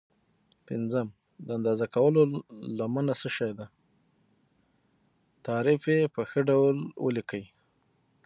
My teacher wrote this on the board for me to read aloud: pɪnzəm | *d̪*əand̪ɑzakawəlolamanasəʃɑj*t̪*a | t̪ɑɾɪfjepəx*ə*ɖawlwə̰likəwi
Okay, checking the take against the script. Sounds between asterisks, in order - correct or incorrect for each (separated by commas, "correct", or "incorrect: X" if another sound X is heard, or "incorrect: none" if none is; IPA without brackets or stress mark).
correct, incorrect: d̪, correct